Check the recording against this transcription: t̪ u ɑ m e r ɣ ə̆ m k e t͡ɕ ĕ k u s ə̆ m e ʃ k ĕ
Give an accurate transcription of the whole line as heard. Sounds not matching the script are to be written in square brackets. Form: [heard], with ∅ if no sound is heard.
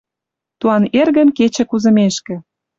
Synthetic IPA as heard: t̪ u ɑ [n] e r ɣ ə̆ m k e t͡ɕ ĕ k u [z] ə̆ m e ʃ k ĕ